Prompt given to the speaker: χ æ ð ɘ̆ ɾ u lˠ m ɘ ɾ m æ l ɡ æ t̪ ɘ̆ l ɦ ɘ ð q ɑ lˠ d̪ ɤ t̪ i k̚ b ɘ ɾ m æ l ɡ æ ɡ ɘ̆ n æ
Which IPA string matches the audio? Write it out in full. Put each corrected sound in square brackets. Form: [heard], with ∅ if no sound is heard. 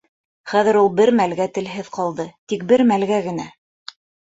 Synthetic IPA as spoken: χ æ ð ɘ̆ ɾ u lˠ [b] ɘ ɾ m æ l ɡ æ t̪ ɘ̆ l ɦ ɘ ð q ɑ lˠ d̪ ɤ t̪ i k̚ b ɘ ɾ m æ l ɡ æ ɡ ɘ̆ n æ